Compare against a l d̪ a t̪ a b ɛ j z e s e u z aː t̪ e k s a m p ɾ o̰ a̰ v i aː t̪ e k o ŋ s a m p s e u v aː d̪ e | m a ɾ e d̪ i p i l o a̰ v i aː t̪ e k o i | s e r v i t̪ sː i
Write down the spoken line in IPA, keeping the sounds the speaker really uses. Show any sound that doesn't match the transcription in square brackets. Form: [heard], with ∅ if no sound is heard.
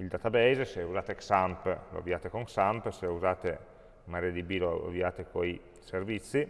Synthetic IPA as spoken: [i] l d̪ a t̪ a b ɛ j z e s e u z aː t̪ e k s a m p [l] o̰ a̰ v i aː t̪ e k o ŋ s a m p s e u [z] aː [t̪] e | m a ɾ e d̪ i [b] i l o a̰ v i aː t̪ e k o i | s e r v i t̪ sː i